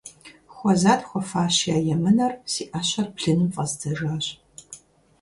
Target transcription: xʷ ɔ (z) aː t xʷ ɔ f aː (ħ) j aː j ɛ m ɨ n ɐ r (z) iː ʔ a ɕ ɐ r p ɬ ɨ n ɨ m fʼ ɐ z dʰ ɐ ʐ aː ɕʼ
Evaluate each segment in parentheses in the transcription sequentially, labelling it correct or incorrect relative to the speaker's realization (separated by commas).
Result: correct, incorrect, incorrect